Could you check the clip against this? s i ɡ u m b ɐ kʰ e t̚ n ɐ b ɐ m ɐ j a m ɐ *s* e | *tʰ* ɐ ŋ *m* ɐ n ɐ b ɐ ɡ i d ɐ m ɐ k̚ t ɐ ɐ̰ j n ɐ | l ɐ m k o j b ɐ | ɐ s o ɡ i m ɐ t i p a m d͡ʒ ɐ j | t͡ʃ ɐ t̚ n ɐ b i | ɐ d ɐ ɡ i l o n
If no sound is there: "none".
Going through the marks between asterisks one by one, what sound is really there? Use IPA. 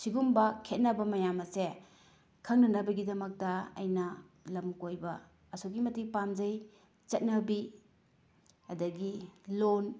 s, kʰ, n

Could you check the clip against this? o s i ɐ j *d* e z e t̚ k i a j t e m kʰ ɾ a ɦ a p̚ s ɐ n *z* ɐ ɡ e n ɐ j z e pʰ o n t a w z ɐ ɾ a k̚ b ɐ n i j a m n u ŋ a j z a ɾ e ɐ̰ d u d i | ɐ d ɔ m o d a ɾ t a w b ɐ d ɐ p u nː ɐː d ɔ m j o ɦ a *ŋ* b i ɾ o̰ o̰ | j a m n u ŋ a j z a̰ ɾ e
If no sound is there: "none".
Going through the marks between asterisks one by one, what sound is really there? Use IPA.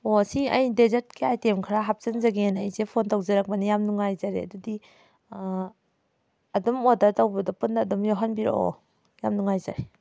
d, z, n

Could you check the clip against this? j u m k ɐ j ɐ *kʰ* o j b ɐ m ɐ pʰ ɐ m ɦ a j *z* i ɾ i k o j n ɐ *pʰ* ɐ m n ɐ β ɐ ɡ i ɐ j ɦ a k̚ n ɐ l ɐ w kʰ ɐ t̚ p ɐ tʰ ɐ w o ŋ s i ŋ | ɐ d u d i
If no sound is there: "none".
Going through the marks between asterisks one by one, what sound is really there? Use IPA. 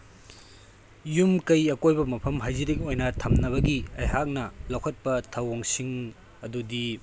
k, z, tʰ

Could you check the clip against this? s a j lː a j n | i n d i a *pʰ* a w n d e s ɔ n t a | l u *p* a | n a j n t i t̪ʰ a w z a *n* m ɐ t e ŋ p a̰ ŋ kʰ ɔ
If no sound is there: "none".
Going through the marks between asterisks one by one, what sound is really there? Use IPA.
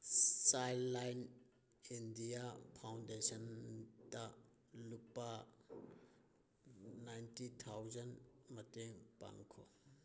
pʰ, p, n

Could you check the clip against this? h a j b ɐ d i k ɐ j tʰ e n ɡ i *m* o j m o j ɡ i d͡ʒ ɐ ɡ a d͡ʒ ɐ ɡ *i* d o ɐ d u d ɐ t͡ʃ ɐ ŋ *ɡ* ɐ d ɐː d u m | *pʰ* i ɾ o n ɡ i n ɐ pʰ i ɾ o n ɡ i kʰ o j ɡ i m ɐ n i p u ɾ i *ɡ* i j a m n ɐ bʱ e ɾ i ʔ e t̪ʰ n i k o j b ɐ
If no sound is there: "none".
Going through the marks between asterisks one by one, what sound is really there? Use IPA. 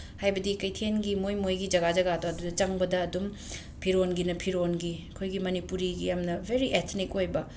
m, a, b, pʰ, ɡ

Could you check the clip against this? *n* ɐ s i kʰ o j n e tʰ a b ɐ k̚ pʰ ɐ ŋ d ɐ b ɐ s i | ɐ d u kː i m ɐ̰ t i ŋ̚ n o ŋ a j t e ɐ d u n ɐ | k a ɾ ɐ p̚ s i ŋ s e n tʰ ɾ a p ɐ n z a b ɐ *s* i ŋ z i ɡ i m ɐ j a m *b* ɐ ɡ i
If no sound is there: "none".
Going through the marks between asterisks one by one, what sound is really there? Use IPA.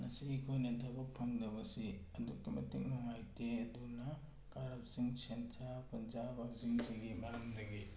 n, z, d

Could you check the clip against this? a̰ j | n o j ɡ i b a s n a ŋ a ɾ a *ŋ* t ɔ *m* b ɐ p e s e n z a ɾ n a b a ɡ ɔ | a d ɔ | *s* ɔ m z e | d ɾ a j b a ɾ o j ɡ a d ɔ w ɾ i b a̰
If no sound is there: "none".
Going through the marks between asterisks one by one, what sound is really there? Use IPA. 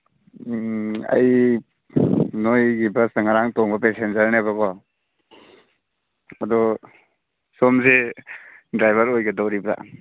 ŋ, ŋ, s

